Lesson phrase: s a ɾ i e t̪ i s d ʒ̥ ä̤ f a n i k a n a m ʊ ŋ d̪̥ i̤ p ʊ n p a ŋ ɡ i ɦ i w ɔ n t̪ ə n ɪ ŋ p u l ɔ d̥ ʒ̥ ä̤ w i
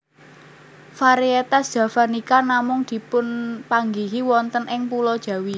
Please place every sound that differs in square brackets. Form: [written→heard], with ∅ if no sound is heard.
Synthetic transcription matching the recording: [s→f] a ɾ i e t̪ [i→a] s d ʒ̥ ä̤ f a n i k a n a m ʊ ŋ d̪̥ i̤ p ʊ n p a ŋ ɡ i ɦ i w ɔ n t̪ ə n ɪ ŋ p u l ɔ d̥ ʒ̥ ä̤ w i